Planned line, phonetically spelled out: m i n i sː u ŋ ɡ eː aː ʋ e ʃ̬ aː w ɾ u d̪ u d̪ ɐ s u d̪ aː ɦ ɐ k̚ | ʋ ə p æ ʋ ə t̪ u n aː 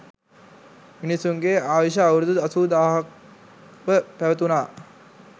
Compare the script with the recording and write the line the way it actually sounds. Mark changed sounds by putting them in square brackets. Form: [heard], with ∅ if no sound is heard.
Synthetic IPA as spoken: m i n i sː u ŋ ɡ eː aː ʋ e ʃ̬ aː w ɾ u d̪ u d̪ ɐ s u d̪ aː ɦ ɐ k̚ | ʋ ə p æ ʋ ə t̪ u n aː